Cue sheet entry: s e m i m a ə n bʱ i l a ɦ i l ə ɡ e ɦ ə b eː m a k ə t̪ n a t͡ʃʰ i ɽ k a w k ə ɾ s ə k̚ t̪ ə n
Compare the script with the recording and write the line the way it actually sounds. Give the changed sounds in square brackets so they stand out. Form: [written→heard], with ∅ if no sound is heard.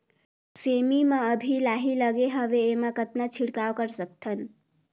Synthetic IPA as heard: s e m i m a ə [n→∅] bʱ i l a ɦ i l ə ɡ e ɦ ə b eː m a k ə t̪ n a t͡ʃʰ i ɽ k a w k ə ɾ s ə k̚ [t̪→t̪ʰ] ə n